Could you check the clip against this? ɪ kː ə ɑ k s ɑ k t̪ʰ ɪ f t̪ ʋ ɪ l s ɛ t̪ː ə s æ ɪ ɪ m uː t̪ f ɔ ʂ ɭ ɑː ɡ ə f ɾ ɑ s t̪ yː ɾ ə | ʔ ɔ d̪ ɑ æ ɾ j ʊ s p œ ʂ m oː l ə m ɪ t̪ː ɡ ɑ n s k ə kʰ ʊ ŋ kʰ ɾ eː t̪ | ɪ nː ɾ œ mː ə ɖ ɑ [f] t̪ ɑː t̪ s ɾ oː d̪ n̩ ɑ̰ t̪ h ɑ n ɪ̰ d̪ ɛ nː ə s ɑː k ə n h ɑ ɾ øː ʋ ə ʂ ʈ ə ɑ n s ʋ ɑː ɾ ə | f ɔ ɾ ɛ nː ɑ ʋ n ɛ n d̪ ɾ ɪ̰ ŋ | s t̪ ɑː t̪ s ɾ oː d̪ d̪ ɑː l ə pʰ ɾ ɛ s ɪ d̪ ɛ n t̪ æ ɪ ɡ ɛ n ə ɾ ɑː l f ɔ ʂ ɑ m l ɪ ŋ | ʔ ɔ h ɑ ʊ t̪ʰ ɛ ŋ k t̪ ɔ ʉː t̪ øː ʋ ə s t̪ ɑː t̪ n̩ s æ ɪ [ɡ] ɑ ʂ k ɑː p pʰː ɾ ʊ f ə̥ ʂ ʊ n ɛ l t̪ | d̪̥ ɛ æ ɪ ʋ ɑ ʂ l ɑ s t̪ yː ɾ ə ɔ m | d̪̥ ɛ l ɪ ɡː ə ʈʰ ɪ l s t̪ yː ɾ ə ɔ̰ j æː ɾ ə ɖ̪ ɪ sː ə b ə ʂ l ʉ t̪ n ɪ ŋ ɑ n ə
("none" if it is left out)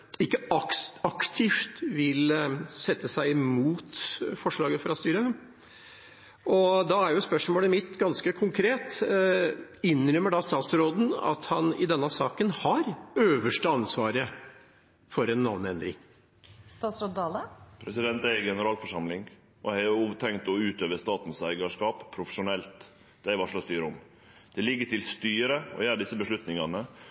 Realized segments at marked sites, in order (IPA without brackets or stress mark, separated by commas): s, ɡ